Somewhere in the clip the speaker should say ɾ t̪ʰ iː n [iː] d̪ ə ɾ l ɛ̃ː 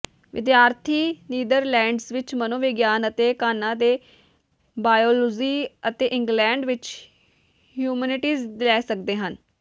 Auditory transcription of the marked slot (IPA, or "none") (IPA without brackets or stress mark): iː